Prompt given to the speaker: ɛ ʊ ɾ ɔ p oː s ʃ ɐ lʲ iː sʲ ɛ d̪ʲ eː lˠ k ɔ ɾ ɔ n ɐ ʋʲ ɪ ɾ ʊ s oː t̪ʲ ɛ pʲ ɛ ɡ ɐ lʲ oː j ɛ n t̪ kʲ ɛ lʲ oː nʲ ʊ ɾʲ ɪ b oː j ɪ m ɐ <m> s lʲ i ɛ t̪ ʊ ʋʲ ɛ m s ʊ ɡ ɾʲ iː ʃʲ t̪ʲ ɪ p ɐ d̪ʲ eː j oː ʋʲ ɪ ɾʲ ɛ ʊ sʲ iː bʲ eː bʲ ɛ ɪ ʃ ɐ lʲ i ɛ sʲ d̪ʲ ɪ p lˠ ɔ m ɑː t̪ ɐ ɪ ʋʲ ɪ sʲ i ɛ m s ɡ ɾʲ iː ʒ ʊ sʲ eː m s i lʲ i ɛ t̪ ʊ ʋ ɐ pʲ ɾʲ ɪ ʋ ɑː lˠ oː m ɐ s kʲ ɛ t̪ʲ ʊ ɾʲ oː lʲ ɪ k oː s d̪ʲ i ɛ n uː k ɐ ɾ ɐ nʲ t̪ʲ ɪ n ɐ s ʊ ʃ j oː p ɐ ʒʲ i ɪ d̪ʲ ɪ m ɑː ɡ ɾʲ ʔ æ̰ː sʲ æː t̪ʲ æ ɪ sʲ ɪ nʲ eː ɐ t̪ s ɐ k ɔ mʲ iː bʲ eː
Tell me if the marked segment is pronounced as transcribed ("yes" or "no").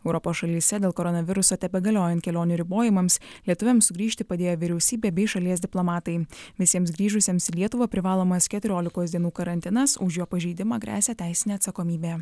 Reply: yes